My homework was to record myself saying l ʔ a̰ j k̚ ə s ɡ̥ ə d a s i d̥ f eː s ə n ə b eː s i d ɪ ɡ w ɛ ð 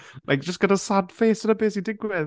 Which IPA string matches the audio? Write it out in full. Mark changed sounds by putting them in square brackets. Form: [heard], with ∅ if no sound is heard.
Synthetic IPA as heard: l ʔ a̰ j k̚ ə s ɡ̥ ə d a s [a] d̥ f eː s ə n ə b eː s i d ɪ ɡ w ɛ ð